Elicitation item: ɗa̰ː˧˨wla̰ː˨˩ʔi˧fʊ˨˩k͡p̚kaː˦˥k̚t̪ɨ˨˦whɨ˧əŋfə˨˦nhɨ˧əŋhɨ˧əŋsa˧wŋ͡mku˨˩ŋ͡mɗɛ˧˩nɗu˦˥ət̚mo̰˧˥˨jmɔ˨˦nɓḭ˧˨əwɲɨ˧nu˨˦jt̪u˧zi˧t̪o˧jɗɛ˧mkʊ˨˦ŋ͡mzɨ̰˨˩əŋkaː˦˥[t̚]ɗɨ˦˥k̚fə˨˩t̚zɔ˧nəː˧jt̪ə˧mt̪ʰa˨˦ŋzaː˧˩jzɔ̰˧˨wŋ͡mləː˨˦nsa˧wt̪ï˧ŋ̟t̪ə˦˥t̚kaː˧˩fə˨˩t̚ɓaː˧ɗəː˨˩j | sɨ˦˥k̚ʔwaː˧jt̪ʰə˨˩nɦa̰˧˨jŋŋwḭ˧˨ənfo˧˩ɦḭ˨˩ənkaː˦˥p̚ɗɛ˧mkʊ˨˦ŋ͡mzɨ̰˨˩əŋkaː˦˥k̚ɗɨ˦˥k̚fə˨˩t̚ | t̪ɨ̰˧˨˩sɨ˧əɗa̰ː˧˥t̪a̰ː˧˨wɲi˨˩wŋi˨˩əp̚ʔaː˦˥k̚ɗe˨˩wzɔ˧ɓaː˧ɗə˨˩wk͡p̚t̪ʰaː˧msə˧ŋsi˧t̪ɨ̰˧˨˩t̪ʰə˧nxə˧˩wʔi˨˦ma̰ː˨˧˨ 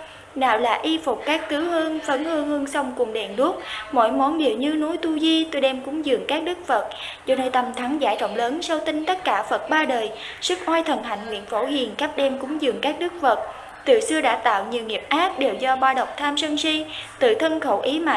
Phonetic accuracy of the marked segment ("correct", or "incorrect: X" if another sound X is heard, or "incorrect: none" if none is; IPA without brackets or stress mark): incorrect: k̚